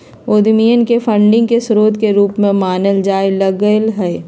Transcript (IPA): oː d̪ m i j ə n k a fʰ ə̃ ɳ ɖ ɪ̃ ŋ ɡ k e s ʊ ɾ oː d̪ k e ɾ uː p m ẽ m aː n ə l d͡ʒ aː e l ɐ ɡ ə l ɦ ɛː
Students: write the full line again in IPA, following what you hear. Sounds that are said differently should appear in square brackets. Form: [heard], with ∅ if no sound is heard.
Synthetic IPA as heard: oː d̪ m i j ə n k [e] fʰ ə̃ ɳ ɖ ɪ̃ ŋ ɡ k e s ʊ ɾ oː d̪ k e ɾ uː p m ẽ m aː n ə l d͡ʒ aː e l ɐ ɡ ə l ɦ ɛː